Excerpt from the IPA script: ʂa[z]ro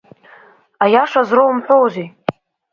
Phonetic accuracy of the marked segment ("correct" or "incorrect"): correct